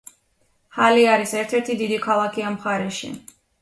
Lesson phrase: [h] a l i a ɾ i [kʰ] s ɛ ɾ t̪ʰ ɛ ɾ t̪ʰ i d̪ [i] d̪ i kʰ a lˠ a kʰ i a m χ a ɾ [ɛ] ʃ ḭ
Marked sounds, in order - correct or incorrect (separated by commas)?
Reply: correct, incorrect, correct, correct